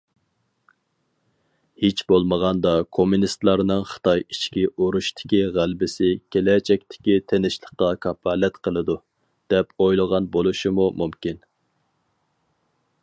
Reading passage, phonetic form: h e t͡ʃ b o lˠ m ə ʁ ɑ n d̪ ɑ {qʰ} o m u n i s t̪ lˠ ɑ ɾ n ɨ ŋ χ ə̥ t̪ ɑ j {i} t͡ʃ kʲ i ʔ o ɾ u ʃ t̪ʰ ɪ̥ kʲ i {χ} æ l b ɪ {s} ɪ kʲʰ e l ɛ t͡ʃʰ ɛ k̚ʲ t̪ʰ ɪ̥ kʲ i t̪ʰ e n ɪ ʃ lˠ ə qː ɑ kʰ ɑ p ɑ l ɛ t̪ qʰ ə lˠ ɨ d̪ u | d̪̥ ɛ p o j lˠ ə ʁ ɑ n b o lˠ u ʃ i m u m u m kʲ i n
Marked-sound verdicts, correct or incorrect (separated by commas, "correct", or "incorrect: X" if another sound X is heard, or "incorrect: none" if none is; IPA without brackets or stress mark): incorrect: kʰ, correct, incorrect: ʁ, correct